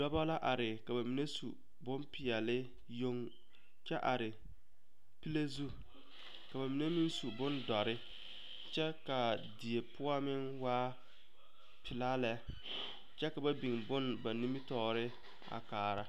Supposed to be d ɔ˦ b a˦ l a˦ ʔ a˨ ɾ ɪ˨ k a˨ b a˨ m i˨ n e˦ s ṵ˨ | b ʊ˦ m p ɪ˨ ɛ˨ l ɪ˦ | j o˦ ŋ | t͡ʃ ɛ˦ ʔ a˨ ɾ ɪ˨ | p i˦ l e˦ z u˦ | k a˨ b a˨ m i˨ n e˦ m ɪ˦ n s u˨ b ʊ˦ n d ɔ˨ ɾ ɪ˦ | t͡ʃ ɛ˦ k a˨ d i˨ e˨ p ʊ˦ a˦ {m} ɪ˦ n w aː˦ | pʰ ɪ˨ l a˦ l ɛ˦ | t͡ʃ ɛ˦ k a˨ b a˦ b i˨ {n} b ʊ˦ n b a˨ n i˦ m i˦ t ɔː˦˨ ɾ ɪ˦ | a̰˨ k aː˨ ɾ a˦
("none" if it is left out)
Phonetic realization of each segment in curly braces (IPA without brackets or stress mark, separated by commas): m, ŋ